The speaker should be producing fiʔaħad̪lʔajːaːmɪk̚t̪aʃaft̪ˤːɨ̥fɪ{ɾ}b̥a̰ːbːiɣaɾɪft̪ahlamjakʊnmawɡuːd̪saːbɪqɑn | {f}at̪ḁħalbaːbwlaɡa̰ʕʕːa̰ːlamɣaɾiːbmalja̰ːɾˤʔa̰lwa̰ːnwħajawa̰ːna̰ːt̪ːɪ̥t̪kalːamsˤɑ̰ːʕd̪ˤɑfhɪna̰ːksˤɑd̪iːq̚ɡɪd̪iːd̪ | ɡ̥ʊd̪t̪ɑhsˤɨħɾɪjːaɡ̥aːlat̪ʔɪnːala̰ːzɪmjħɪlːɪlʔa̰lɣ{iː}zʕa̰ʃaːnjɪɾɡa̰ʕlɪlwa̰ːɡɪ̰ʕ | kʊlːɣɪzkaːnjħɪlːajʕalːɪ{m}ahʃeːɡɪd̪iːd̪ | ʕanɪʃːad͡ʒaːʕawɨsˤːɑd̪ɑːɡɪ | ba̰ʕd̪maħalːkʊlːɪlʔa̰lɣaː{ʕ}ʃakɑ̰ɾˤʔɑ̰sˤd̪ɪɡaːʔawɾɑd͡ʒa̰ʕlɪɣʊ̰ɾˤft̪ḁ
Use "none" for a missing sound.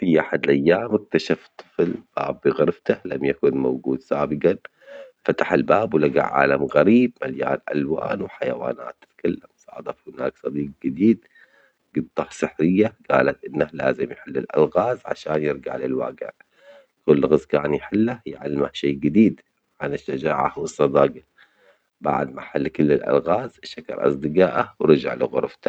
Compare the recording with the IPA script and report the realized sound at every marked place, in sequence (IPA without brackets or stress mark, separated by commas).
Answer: l, f, aː, m, z